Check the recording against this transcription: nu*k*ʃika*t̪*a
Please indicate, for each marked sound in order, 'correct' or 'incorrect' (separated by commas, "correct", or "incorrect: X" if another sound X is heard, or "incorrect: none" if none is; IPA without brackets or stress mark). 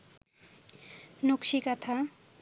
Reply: correct, incorrect: t̪ʰ